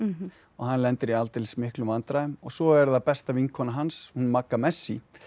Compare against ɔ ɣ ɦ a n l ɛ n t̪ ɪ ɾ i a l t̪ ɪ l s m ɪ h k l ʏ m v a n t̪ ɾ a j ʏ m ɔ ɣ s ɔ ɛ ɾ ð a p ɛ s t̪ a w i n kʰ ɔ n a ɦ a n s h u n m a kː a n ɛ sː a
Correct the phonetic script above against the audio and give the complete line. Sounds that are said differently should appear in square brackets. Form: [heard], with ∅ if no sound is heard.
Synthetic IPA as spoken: ɔ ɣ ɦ a n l ɛ n t̪ ɪ ɾ i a l t̪ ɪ l s m ɪ h k l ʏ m v a n t̪ ɾ a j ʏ m ɔ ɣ s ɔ ɛ ɾ ð a p ɛ s t̪ a [v] i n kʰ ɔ n a ɦ a n s h u n m a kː a [m] ɛ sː [i]